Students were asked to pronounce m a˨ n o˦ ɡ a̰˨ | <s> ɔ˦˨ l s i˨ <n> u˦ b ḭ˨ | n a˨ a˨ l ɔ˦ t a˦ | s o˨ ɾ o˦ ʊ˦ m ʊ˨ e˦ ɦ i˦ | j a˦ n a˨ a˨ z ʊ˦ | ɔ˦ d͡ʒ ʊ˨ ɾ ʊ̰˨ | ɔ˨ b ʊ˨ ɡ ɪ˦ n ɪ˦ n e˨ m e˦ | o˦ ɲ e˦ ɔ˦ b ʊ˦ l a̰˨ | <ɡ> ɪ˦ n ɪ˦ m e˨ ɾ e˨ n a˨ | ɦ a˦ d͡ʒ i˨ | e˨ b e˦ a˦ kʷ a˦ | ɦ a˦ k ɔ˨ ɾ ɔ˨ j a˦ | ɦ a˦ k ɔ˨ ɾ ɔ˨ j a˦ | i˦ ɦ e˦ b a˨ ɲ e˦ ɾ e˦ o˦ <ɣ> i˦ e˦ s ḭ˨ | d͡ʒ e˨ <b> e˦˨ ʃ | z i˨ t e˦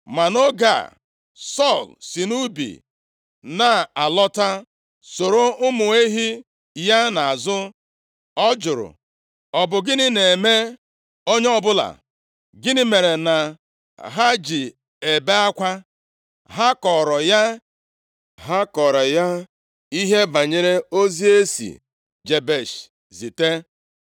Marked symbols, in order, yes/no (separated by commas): yes, yes, yes, no, yes